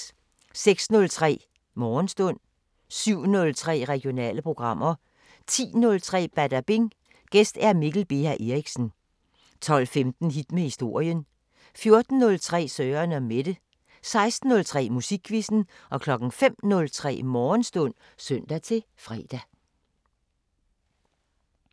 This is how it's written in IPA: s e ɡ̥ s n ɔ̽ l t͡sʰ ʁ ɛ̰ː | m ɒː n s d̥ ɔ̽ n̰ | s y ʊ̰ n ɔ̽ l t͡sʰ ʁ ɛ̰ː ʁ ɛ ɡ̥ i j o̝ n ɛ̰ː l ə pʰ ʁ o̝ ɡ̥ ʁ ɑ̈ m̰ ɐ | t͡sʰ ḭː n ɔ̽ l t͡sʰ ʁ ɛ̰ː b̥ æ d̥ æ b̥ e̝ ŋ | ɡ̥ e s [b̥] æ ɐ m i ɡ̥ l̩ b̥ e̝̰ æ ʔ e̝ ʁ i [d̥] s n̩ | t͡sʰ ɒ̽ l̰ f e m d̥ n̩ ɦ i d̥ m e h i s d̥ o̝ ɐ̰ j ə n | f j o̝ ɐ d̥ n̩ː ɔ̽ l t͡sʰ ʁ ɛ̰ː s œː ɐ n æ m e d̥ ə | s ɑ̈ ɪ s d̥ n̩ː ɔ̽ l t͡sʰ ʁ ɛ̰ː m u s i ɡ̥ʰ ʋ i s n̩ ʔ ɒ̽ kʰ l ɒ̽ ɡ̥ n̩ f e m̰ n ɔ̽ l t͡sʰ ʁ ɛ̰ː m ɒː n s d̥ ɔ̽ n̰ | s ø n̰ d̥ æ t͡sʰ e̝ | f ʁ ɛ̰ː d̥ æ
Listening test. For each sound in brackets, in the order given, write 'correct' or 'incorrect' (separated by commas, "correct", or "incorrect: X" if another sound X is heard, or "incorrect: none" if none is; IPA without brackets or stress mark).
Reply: incorrect: d̥, incorrect: ɡ̥